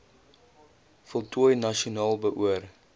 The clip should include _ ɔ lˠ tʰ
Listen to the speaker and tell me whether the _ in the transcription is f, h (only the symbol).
f